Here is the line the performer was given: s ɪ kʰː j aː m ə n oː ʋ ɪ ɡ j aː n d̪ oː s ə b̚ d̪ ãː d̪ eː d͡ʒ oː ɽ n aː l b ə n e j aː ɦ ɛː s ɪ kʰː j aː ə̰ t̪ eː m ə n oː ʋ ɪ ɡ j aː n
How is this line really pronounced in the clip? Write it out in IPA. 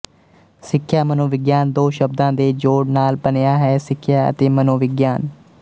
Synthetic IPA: s ɪ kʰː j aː m ə n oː ʋ ɪ ɡ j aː n d̪ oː ʃ ə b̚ d̪ ãː d̪ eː d͡ʒ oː ɽ n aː l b ə n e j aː ɦ ɛː s ɪ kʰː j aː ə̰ t̪ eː m ə n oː ʋ ɪ ɡ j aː n